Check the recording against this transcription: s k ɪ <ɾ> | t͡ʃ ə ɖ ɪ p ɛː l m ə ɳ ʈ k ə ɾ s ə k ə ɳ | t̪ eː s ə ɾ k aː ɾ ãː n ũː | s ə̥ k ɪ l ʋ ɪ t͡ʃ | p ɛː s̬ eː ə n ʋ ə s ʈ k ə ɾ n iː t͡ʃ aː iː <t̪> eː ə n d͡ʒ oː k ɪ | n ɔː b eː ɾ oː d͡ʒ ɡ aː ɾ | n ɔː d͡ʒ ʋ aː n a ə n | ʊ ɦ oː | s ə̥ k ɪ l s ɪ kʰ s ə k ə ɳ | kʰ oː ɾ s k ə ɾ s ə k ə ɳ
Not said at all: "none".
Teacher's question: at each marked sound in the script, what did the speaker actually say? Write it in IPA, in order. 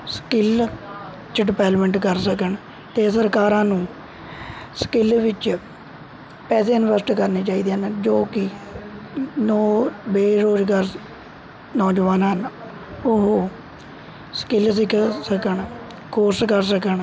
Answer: l, d̪

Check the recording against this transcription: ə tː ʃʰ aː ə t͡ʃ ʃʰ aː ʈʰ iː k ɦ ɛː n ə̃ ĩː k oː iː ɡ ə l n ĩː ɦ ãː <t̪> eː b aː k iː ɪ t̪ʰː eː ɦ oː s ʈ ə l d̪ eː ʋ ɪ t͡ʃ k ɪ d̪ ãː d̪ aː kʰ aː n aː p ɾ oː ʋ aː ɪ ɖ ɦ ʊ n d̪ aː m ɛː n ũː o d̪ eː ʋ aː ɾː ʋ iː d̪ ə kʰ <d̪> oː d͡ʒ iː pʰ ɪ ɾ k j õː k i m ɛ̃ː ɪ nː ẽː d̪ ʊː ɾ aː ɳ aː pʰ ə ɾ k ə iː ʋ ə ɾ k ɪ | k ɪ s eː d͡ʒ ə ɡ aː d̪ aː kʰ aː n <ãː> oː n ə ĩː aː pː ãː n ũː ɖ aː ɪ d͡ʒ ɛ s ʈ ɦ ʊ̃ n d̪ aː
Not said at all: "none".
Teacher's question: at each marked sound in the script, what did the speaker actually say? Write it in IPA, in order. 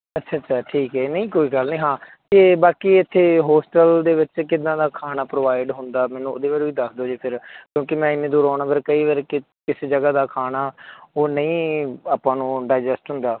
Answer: t̪, d̪, aː

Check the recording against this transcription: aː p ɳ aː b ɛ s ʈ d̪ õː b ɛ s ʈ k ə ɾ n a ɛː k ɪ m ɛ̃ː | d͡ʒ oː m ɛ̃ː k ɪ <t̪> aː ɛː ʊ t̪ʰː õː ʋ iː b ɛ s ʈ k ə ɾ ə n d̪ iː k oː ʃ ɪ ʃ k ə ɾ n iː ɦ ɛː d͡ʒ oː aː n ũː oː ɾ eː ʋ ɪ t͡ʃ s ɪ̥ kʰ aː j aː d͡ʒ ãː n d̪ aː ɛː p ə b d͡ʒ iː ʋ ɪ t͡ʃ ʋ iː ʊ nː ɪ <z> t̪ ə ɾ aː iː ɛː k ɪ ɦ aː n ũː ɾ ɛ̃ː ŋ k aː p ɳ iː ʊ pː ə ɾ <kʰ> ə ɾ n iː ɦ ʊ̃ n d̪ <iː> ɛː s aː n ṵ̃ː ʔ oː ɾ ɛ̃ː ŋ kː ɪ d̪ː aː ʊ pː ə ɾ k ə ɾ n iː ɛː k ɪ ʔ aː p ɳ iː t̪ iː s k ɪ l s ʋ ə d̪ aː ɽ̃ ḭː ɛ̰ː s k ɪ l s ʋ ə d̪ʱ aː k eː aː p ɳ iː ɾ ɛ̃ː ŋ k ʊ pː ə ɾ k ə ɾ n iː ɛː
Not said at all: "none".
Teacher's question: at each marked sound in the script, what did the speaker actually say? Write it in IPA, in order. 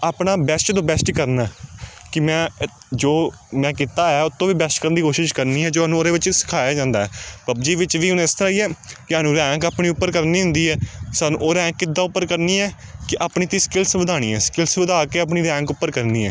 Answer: t̪, s, k, iː

